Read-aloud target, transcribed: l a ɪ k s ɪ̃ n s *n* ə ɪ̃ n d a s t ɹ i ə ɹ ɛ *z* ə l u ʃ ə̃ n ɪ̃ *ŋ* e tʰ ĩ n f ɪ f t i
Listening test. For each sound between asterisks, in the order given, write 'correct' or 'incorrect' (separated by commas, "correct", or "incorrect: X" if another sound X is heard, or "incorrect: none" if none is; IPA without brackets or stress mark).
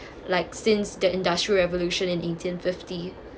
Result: incorrect: d, incorrect: v, incorrect: n